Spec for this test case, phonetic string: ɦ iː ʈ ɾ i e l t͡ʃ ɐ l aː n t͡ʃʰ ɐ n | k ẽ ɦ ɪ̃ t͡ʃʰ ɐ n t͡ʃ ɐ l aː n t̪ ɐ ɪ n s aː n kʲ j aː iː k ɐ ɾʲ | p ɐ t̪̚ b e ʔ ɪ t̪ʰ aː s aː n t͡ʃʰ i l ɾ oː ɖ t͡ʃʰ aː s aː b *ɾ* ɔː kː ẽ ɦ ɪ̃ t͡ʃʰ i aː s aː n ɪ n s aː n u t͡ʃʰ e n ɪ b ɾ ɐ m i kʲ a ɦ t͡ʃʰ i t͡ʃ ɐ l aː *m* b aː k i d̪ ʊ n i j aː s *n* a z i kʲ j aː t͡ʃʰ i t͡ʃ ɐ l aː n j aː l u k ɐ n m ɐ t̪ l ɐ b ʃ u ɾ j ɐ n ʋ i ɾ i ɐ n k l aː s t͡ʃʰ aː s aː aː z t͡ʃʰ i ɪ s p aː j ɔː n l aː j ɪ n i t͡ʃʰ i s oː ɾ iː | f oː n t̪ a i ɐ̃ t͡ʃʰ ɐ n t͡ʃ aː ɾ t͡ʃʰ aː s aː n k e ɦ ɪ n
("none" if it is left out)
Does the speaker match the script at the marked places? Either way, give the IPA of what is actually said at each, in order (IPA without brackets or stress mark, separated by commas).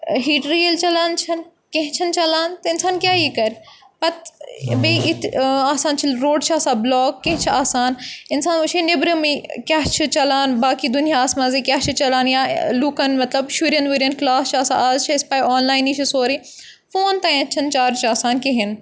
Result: l, n, m